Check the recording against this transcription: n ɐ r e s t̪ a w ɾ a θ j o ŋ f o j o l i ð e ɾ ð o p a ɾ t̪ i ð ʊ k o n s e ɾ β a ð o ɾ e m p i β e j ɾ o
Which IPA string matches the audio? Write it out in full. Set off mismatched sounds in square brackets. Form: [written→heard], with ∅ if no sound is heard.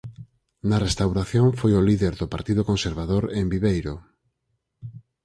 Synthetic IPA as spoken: n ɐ r e s t̪ a w ɾ a θ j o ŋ f o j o l i ð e ɾ ð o p a ɾ t̪ i ð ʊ k o n s e ɾ β a ð o ɾ e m [p→b] i β e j ɾ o